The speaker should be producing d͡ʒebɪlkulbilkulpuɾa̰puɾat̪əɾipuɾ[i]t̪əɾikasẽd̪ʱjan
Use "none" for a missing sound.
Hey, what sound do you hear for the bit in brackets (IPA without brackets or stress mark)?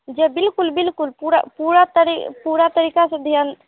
a